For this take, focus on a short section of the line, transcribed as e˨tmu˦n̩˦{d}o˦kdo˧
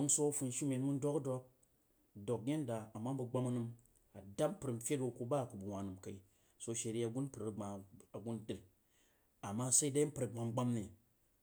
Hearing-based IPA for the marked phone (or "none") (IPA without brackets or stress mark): d